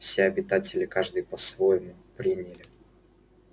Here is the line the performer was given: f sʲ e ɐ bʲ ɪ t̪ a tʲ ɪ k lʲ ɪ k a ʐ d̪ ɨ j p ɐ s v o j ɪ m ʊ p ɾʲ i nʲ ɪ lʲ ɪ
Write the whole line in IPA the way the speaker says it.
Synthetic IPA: f sʲ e ɐ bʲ ɪ t̪ a tʲ ɪ lʲ ɪ k a ʐ d̪ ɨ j p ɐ s v o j ɪ m ʊ p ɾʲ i nʲ ɪ lʲ ɪ